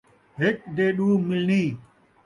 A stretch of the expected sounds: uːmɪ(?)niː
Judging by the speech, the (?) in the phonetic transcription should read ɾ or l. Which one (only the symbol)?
l